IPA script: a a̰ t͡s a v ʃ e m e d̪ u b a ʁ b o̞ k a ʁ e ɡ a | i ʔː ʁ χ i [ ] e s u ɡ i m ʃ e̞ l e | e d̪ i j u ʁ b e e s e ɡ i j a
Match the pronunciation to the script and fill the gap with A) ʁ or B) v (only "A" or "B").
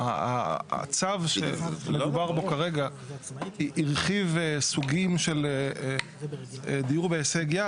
B